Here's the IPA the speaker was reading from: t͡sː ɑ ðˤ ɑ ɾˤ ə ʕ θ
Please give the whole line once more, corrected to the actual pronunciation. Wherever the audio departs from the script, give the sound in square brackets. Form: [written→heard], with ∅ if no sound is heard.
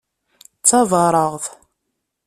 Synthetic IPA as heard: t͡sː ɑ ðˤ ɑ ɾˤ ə [ʕ→ʁ] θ